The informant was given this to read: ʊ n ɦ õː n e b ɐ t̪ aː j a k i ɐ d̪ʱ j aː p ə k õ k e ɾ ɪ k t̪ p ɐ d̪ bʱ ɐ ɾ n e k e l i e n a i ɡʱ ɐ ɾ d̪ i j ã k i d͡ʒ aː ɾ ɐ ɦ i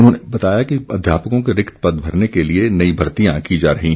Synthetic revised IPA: ʊ n ɦ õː n e b ɐ t̪ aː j a k i ɐ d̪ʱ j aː p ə k õ k e ɾ ɪ k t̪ p ɐ d̪ bʱ ɐ ɾ n e k e l i e n ɐ i bʱ ɐ ɾ t̪ i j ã k i d͡ʒ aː ɾ ɐ ɦ i